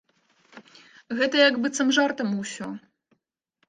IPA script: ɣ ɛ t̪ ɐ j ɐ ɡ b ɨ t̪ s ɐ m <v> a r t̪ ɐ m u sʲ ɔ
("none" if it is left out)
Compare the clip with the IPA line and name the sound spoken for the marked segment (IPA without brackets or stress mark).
ʐ